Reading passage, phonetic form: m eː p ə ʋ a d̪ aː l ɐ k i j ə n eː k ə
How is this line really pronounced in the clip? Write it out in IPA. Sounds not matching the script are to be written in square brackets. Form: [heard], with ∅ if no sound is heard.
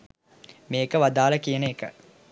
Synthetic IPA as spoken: m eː [k] ə ʋ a d̪ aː l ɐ k i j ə n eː k ə